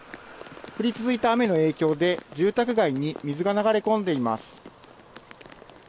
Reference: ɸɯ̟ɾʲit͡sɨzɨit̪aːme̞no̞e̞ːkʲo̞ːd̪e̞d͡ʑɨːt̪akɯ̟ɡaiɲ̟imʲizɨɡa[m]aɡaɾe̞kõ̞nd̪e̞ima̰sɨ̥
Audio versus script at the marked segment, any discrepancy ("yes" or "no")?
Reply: yes